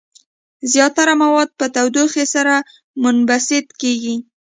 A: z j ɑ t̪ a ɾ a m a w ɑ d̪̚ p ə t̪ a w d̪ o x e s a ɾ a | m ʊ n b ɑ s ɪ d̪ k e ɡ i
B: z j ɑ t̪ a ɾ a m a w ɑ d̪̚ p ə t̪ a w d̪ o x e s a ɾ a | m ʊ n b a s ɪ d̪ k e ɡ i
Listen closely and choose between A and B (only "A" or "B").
B